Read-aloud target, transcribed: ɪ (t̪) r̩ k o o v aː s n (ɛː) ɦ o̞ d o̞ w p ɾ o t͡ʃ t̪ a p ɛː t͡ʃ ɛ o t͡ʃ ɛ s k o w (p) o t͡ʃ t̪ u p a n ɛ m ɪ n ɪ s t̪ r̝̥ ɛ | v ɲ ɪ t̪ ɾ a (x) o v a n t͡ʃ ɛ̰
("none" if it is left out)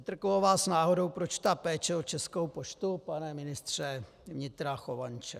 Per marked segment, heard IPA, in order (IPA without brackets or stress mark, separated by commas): t̪, aː, p, x